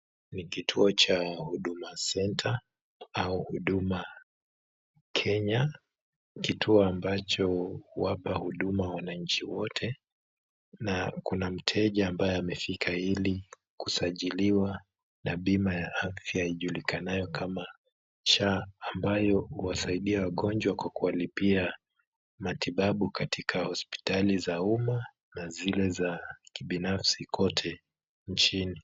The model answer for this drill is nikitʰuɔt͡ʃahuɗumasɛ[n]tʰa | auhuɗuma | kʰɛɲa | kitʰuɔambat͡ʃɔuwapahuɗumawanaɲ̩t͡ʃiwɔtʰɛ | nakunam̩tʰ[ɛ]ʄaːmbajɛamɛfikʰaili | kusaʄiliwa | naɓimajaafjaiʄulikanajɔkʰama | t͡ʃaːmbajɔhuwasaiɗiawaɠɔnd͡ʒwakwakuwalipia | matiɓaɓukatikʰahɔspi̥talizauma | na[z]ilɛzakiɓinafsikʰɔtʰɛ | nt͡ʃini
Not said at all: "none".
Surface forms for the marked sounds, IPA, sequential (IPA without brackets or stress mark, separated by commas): n, ɛ, z